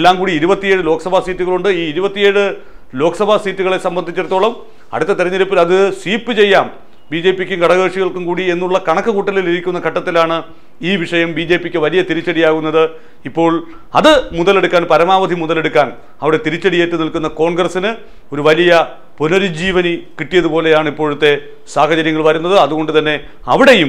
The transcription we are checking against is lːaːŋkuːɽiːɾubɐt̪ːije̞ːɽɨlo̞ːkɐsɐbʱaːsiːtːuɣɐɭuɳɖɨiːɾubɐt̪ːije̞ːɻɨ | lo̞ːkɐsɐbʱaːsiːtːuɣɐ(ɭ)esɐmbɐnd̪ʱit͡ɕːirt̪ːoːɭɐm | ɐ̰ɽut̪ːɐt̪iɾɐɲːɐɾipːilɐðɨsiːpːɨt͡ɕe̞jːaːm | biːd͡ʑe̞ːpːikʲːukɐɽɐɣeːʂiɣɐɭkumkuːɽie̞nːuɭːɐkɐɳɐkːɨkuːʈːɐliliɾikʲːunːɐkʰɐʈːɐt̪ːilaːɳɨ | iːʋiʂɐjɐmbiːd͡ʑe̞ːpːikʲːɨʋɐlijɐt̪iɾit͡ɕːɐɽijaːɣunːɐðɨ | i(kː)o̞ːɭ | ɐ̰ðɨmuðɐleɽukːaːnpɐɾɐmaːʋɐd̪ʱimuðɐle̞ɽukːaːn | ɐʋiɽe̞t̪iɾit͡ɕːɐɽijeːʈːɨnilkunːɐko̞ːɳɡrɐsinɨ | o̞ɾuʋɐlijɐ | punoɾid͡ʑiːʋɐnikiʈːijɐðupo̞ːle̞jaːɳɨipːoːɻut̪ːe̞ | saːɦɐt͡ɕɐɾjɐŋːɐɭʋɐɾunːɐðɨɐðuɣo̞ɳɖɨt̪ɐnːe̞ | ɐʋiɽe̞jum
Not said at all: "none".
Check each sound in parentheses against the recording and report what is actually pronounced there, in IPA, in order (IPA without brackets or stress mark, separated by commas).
ɭ, pː